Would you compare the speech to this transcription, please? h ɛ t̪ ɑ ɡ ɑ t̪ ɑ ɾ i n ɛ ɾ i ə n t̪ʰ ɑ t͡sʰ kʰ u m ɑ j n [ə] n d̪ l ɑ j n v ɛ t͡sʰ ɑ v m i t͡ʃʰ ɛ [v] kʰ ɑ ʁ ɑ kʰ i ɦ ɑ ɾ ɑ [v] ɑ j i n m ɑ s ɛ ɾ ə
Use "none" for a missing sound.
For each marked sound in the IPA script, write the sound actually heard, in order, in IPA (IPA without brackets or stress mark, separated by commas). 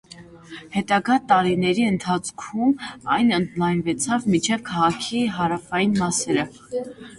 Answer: ə, v, f